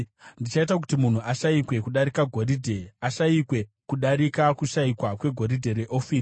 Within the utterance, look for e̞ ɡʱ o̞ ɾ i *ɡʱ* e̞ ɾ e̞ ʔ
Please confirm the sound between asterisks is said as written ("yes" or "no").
no